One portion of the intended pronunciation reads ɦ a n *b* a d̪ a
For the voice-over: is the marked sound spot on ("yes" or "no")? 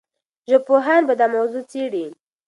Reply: yes